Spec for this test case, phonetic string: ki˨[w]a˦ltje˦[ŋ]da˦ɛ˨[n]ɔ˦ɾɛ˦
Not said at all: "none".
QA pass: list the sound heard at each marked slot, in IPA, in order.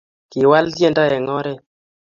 w, n, ŋ

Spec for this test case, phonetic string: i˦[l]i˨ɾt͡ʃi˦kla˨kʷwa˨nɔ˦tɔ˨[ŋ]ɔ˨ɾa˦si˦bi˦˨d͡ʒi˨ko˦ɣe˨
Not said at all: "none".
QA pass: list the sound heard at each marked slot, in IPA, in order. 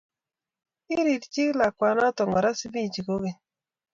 ɾ, ŋ

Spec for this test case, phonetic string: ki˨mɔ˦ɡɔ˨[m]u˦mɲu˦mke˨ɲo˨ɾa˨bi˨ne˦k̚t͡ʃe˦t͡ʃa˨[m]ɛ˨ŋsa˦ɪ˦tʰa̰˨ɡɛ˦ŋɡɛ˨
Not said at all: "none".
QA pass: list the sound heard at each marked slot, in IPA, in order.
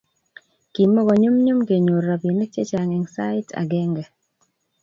ɲ, ŋ

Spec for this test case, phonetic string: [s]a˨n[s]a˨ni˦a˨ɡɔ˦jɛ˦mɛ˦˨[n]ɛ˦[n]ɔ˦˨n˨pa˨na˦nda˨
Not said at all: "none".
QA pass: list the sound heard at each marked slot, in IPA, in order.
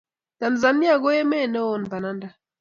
t, z, n, none

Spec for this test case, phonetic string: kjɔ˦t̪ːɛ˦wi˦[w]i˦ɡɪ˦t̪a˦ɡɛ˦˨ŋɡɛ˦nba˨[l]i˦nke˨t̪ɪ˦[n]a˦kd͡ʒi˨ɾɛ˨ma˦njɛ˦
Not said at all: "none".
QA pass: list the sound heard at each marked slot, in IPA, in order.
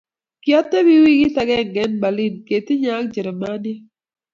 w, l, ɲ

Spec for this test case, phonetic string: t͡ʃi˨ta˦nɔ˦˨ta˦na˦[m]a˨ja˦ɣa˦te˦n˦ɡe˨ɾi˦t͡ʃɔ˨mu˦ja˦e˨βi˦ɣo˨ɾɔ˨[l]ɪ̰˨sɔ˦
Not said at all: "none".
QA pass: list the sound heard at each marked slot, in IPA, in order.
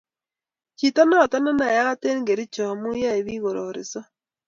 n, ɾ

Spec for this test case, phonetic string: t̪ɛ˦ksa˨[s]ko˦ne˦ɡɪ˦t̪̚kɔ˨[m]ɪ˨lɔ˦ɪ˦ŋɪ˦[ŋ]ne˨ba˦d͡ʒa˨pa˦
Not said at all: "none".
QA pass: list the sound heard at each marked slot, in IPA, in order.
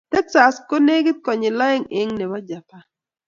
s, ɲ, ŋ

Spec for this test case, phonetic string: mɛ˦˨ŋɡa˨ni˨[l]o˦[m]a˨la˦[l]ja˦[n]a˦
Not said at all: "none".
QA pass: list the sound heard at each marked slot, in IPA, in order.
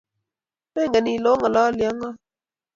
l, ŋ, l, ŋ

